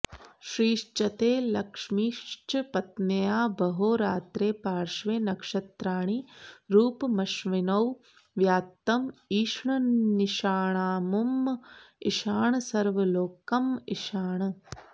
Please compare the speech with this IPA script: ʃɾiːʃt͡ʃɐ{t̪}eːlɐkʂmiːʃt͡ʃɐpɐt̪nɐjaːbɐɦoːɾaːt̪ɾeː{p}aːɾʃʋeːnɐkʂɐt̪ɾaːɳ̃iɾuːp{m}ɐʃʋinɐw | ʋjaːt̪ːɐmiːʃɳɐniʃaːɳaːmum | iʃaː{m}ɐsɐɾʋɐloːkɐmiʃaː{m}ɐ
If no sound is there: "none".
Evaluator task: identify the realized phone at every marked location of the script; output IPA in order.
t̪, p, m, ɳ, ɳ

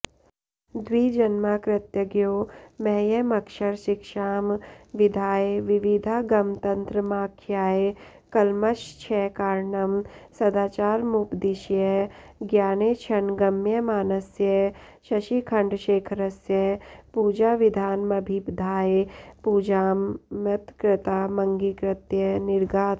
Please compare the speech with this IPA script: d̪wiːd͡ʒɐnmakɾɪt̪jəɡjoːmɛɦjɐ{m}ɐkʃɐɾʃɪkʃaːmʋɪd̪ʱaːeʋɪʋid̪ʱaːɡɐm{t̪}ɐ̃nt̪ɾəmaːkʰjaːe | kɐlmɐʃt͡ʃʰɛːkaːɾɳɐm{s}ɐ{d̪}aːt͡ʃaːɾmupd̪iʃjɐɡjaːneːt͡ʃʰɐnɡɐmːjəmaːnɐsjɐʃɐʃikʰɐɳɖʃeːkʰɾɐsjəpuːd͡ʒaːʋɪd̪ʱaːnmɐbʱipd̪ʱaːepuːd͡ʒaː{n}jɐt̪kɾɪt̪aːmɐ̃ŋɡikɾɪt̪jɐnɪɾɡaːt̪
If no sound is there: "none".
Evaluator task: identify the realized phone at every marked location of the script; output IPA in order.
m, t̪, s, d̪, m

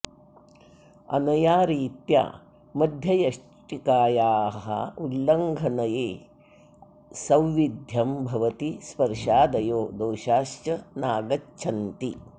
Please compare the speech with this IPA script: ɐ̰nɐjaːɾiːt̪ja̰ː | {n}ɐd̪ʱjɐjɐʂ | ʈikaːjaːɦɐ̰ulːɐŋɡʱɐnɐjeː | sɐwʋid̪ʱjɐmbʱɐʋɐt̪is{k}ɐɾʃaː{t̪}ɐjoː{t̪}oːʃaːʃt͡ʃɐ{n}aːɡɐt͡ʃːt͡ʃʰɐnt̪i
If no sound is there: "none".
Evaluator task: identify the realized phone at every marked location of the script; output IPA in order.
m, p, d̪, d̪, n

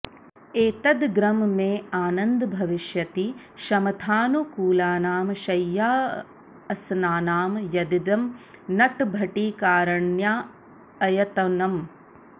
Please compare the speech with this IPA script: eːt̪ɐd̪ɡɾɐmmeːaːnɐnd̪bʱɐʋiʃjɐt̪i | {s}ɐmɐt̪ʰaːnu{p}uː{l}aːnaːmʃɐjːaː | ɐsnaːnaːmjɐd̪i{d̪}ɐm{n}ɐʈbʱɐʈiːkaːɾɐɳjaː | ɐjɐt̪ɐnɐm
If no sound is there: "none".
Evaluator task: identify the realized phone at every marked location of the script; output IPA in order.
ʃ, k, l, d̪, n

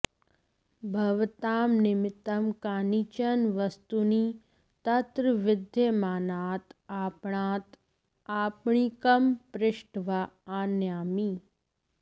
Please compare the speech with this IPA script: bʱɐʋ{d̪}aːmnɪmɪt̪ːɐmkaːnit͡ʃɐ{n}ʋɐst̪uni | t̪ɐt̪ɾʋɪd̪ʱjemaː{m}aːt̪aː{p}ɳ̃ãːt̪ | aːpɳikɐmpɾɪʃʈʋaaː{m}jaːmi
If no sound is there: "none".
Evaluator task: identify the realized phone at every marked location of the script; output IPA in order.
t̪, n, n, p, n

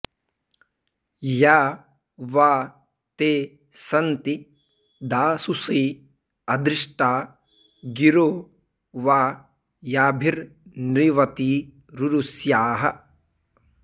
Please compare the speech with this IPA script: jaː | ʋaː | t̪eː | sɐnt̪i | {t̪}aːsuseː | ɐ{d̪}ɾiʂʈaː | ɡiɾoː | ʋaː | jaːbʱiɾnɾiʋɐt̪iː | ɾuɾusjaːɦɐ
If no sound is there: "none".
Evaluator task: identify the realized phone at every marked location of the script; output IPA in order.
d̪, d̪

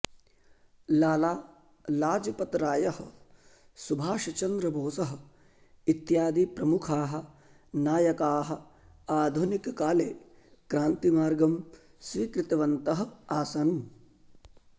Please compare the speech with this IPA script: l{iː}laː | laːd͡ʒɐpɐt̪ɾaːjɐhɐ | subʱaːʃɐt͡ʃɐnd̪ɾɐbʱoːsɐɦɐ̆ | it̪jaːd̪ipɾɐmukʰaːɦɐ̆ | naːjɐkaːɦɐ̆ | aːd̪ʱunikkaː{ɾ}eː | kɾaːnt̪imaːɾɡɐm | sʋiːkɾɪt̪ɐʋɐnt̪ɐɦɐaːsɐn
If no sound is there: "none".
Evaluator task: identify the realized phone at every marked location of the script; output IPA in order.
aː, l

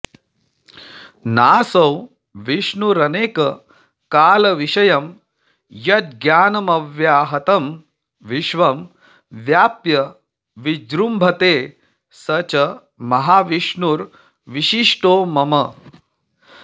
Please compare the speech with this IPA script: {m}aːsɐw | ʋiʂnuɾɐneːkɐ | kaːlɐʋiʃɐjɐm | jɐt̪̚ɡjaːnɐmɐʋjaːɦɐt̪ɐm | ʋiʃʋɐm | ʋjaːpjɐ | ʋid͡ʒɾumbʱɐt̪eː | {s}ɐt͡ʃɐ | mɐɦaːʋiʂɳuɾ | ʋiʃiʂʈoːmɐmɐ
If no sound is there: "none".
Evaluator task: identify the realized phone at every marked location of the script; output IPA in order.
n, s

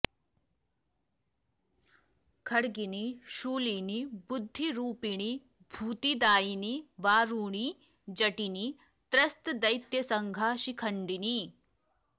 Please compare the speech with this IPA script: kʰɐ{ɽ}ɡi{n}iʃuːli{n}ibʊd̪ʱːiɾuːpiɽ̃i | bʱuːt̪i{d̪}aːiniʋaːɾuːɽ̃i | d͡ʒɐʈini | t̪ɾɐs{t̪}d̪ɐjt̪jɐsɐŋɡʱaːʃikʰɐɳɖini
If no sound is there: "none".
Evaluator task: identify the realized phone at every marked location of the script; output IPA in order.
ɽ, n, n, d̪, t̪

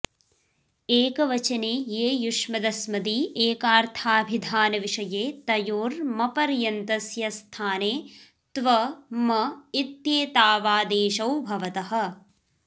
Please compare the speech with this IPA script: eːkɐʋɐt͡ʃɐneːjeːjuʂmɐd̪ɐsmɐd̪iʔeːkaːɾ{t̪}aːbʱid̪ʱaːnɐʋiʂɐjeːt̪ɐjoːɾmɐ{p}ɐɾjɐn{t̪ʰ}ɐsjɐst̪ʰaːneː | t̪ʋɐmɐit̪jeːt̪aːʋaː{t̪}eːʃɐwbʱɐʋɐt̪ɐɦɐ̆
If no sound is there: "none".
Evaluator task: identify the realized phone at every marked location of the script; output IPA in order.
t̪ʰ, p, t̪, d̪

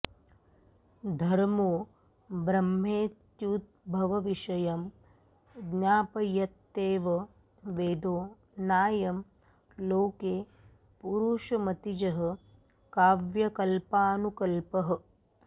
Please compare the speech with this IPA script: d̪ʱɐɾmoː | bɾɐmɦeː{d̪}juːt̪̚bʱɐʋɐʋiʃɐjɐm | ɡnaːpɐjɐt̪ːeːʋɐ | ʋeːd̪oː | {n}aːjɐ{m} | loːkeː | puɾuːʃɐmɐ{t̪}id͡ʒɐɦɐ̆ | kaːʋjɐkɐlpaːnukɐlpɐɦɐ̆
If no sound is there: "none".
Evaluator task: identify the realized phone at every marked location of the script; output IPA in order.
t̪, n, m, t̪

